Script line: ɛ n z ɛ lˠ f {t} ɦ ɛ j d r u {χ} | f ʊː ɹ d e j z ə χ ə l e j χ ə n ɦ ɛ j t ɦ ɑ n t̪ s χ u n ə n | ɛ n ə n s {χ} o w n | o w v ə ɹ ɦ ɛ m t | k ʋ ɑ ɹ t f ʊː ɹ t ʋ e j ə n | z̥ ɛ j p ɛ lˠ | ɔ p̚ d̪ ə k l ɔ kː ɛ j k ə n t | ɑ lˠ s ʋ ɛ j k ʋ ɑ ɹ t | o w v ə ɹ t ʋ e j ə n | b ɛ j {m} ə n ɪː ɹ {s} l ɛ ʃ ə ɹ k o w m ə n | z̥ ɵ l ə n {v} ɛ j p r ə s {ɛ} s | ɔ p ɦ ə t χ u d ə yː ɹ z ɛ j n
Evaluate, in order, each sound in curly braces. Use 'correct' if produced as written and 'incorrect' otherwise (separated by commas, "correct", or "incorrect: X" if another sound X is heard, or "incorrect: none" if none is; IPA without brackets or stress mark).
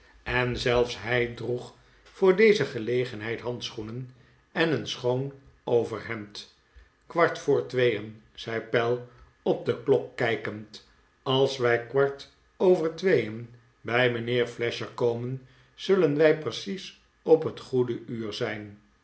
incorrect: s, correct, correct, correct, incorrect: f, incorrect: ʋ, incorrect: i